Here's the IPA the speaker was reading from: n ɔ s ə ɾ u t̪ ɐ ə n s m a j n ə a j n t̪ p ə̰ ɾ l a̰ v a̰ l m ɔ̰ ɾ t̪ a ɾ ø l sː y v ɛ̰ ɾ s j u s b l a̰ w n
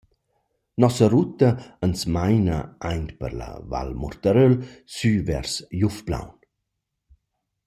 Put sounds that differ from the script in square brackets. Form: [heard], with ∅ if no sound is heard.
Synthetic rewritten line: n ɔ s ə ɾ u t̪ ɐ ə n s m a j n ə a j n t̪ p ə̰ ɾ l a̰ v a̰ l m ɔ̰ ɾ t̪ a ɾ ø l [s] y v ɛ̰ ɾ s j u [f] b l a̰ w n